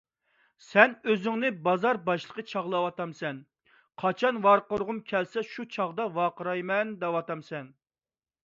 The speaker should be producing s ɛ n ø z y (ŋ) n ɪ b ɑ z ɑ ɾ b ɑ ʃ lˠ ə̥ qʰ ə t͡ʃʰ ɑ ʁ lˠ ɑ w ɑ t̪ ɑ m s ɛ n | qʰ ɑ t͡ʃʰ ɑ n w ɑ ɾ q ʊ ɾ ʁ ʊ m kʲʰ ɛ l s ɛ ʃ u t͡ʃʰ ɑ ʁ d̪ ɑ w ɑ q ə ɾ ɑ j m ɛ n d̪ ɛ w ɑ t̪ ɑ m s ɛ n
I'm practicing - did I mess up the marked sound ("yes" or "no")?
no